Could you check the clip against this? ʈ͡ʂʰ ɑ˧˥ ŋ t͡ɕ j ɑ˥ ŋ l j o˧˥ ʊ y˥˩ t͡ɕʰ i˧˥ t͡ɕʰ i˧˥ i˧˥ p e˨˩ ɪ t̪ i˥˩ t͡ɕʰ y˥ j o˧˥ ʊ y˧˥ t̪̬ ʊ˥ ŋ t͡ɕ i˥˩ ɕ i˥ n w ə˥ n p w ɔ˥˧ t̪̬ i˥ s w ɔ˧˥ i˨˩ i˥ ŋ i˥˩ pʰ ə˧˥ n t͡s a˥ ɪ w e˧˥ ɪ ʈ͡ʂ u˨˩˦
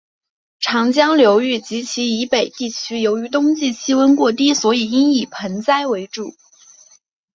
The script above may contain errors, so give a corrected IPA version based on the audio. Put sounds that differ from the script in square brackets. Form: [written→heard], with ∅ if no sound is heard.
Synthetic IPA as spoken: ʈ͡ʂʰ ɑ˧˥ ŋ t͡ɕ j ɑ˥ ŋ l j o˧˥ ʊ y˥˩ [t͡ɕʰ→t͡ɕ] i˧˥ t͡ɕʰ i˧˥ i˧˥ p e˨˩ ɪ t̪ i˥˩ t͡ɕʰ y˥ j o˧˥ ʊ y˧˥ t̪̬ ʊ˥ ŋ t͡ɕ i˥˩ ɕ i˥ [n→∅] w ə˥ n [p→k] w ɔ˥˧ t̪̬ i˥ s w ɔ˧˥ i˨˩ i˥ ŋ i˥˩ pʰ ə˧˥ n t͡s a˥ ɪ w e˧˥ ɪ ʈ͡ʂ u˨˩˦